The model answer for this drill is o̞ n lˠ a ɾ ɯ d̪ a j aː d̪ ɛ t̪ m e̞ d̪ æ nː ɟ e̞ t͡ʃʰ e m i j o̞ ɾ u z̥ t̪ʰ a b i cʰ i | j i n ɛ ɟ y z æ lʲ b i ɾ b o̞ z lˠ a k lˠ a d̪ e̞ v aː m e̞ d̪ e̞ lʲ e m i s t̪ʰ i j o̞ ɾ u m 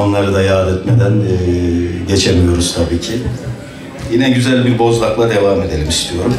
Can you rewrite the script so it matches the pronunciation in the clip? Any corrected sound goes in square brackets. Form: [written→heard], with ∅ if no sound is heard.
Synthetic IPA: o̞ n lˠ a ɾ ɯ d̪ a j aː d̪ ɛ t̪ m e̞ d̪ æ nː ɟ e̞ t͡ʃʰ e m i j o̞ ɾ u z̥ t̪ʰ a b [i→iː] cʰ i | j i n ɛ ɟ y z æ lʲ b i ɾ b o̞ z lˠ a k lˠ a d̪ e̞ v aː m e̞ d̪ e̞ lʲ [e→i] m i s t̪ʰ i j o̞ ɾ u m